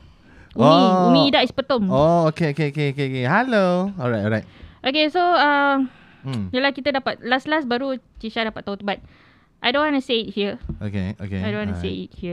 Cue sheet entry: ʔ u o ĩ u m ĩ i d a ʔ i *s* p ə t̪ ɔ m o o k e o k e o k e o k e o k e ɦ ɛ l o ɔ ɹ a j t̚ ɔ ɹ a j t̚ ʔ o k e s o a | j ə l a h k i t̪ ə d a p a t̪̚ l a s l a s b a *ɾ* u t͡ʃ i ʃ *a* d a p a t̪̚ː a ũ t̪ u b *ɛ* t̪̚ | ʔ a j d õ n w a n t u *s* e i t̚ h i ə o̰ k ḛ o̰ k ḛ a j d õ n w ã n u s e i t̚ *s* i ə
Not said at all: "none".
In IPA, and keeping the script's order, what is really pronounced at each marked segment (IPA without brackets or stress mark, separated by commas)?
s, ɾ, a, a, s, h